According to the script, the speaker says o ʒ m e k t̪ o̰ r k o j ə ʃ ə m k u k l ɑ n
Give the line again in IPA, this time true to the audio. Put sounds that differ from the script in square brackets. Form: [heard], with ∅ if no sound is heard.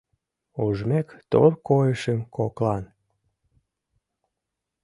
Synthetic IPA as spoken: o ʒ m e k t̪ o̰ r k o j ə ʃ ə m k [o] k l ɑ n